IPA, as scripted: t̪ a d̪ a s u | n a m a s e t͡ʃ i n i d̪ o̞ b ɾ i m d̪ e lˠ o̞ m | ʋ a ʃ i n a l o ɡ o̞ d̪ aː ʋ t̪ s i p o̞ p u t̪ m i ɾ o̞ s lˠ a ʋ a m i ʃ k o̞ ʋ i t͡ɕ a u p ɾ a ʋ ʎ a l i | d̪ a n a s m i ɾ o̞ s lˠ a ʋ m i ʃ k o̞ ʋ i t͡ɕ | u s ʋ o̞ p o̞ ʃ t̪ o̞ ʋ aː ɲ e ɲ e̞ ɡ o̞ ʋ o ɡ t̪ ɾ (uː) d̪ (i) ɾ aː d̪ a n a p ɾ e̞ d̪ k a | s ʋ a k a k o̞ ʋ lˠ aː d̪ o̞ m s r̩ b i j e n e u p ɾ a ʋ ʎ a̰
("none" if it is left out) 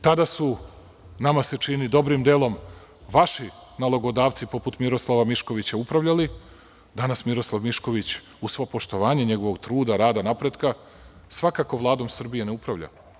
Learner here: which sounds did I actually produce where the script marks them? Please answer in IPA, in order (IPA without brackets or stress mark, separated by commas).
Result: uː, a